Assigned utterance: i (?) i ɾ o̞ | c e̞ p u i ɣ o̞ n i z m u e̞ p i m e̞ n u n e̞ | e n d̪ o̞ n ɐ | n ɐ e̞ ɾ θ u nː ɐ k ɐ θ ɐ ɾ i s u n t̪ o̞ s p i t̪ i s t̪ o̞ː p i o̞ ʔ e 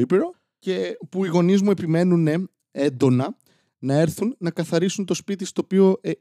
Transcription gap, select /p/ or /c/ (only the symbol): p